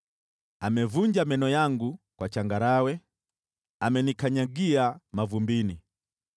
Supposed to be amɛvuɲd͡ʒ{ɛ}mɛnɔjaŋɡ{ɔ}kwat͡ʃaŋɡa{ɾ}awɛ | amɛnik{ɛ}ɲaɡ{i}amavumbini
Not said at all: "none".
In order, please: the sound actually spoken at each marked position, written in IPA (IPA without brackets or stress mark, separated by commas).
a, u, ɾ, a, i